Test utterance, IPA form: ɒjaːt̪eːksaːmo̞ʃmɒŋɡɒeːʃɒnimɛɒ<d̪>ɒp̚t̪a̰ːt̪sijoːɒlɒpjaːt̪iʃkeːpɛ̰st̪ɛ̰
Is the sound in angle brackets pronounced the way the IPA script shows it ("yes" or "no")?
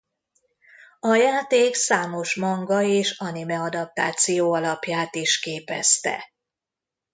yes